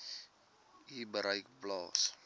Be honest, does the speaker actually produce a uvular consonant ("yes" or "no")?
no